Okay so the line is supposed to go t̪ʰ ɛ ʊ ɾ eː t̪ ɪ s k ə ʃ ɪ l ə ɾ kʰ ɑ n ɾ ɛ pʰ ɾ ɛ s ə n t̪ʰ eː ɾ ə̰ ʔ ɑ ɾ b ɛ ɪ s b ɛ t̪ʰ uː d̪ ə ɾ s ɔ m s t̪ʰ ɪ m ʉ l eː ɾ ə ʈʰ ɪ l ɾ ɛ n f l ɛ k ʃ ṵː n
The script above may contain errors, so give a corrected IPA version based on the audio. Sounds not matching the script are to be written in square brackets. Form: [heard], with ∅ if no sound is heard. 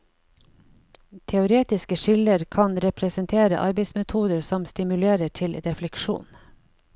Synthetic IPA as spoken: t̪ʰ ɛ ʊ ɾ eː t̪ ɪ s k ə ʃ ɪ l ə ɾ kʰ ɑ n ɾ ɛ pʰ ɾ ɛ s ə n t̪ʰ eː ɾ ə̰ ʔ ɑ ɾ b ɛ ɪ s [m] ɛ t̪ʰ uː d̪ ə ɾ s ɔ m s [t̪] ɪ m ʉ l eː ɾ ə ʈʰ ɪ l ɾ ɛ [∅] f l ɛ k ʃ ṵː n